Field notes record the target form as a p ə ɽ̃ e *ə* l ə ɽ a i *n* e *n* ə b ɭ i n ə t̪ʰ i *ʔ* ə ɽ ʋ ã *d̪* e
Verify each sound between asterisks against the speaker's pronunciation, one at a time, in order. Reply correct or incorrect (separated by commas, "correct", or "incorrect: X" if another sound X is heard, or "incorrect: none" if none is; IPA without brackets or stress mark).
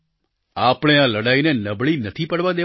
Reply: incorrect: a, correct, correct, incorrect: p, correct